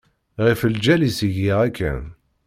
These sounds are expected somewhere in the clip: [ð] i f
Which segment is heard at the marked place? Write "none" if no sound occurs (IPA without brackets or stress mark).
ʁ